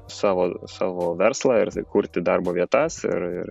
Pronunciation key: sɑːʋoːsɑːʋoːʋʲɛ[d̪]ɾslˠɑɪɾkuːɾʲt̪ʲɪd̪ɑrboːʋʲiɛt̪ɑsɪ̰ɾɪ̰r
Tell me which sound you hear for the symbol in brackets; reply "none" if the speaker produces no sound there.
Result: none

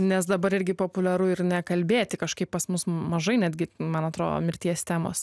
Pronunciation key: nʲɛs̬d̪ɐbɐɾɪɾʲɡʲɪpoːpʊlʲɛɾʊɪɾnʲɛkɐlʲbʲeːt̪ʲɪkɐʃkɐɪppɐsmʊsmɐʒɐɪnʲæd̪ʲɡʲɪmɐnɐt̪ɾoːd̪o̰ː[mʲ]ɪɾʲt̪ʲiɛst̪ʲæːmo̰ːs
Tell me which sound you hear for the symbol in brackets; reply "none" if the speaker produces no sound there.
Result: mʲ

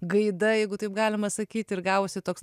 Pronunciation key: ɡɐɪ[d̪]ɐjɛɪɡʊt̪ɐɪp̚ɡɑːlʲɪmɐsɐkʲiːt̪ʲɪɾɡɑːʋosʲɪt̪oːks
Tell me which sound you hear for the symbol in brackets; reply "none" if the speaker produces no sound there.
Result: d̪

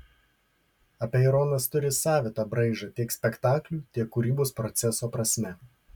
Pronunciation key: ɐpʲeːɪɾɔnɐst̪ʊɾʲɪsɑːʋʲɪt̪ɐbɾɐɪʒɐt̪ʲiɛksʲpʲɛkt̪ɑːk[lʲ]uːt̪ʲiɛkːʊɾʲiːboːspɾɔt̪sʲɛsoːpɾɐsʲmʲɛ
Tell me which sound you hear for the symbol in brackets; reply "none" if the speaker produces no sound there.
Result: lʲ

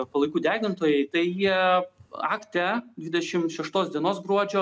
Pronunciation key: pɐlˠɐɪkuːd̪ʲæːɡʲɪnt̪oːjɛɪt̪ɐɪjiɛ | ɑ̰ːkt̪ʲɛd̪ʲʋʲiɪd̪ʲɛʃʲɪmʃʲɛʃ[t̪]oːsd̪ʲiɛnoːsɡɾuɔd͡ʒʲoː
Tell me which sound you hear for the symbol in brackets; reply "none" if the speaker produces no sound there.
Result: t̪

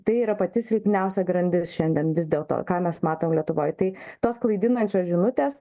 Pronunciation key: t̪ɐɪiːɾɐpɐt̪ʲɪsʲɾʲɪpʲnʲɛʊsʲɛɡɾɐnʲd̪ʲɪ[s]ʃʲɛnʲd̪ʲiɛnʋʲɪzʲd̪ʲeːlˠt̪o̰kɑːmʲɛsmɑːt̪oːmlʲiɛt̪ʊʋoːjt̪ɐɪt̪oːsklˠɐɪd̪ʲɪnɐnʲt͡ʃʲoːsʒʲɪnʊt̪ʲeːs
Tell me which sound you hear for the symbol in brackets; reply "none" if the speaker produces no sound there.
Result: s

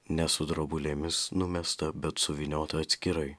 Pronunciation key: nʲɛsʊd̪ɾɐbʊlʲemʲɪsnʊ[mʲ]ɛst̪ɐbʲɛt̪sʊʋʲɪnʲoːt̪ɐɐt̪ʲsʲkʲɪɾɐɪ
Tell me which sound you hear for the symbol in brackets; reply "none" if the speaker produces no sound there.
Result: mʲ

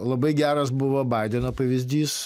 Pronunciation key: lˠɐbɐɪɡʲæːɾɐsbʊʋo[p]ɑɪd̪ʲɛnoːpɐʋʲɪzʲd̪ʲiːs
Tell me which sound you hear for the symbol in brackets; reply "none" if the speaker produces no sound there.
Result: b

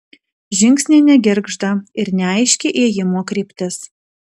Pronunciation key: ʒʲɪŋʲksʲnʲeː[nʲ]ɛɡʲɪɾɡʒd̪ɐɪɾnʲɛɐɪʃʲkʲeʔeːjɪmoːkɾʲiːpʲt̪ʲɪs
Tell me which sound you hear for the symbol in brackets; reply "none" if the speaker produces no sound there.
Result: nʲ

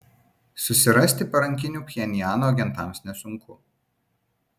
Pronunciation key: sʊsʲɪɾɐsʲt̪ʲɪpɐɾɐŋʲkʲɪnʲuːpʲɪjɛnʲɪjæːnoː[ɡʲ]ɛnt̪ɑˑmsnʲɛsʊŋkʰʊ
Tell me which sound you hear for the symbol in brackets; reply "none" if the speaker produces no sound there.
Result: ɡʲ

